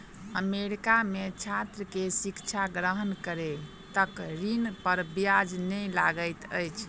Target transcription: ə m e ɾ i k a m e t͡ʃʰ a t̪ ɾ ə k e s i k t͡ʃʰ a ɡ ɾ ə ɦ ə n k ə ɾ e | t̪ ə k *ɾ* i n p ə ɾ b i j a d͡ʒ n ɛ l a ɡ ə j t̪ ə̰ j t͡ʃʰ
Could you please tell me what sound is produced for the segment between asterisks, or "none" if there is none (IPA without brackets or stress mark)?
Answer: ɾ